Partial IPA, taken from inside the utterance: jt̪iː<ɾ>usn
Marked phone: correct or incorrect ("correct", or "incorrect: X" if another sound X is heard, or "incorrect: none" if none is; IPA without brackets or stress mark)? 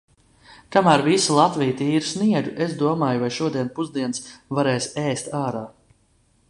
correct